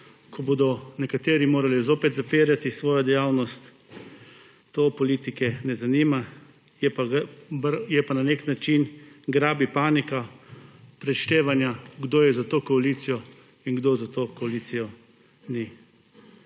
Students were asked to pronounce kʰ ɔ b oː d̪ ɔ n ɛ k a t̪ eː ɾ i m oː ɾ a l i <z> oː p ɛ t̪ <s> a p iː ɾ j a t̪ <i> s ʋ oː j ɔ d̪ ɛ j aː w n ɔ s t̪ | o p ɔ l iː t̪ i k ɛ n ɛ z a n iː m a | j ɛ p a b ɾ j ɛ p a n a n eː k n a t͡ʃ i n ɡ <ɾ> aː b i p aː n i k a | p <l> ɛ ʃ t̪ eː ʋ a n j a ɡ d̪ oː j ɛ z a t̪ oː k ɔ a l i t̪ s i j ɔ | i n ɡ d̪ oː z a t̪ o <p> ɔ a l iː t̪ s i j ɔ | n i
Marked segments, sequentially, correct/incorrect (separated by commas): correct, incorrect, correct, correct, incorrect, incorrect